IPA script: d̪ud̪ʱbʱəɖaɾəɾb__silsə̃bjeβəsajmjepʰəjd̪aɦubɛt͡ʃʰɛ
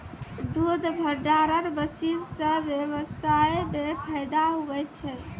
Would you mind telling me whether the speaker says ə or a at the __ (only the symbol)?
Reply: ə